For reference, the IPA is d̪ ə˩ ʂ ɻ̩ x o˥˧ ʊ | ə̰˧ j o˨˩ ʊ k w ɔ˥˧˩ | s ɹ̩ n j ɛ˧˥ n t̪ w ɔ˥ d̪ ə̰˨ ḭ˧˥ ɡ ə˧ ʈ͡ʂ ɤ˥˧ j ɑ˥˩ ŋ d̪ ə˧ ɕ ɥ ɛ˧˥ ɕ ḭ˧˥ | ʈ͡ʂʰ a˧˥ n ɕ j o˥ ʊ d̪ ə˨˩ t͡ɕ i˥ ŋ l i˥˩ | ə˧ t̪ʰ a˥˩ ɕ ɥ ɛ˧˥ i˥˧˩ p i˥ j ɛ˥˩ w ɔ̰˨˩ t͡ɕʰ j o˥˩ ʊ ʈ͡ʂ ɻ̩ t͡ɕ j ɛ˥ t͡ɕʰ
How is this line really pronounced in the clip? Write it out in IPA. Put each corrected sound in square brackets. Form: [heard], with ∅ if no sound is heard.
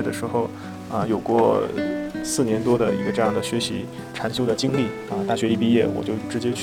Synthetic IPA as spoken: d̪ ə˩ ʂ ɻ̩ x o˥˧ ʊ | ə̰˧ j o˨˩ ʊ k w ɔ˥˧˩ | s ɹ̩ n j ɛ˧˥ n t̪ w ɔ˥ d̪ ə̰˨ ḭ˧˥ ɡ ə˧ ʈ͡ʂ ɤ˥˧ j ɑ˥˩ ŋ d̪ [ə˩] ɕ ɥ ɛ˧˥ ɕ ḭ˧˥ | ʈ͡ʂʰ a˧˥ n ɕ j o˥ ʊ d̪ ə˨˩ t͡ɕ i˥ ŋ l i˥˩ | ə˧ [t̪] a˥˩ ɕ ɥ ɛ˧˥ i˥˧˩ p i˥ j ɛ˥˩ w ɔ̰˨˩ [t͡ɕ] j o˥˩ ʊ ʈ͡ʂ ɻ̩ t͡ɕ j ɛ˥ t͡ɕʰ